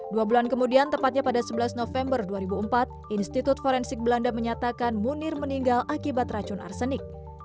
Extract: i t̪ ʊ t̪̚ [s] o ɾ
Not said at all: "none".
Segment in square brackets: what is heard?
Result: f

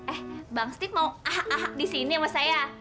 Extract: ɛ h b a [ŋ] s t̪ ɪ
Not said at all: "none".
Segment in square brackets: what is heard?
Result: ŋ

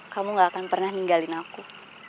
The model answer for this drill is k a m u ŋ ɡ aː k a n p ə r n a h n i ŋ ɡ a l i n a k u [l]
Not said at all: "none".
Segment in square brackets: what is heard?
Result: none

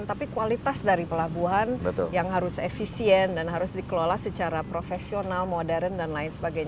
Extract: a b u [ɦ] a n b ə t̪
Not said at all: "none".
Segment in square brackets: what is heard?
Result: ɦ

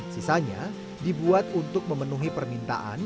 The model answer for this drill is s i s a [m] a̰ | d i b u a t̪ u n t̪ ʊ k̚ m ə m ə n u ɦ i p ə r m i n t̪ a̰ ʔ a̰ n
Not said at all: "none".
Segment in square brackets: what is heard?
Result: ɲ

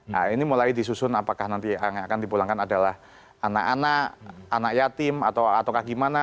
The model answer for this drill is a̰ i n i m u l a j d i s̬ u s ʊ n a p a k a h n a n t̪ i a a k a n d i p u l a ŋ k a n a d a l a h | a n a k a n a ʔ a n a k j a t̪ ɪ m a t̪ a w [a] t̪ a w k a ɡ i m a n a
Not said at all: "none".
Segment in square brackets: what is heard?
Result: a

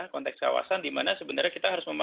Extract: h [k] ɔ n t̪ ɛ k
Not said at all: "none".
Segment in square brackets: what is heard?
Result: k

